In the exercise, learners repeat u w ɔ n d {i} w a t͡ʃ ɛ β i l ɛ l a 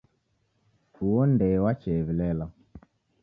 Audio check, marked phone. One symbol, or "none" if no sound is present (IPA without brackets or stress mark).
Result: ɛ